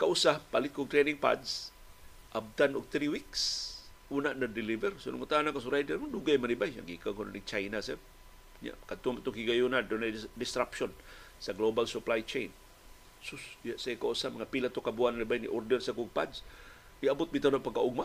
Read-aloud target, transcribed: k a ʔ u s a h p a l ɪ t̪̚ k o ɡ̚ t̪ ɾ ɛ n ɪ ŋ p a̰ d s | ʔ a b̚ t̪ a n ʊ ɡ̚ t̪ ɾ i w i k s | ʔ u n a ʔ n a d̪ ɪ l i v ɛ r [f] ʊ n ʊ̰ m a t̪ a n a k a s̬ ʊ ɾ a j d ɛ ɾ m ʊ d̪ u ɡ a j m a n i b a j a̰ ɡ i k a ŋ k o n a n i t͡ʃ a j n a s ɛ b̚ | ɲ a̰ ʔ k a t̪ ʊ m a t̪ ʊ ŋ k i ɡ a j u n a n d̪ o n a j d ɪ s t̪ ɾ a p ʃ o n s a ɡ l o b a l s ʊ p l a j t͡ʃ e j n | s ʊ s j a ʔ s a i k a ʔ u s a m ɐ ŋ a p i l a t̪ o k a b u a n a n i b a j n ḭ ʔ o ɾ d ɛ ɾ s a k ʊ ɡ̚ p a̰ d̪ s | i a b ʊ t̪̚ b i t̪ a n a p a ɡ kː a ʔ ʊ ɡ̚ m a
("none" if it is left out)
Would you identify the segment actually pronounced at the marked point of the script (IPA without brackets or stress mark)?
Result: s